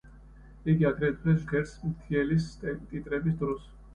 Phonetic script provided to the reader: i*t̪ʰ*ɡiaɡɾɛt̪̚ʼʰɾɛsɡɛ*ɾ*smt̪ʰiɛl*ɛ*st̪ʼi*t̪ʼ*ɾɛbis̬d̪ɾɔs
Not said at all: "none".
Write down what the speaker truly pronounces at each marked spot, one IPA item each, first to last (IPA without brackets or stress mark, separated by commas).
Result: none, ɾ, i, t̪ʼ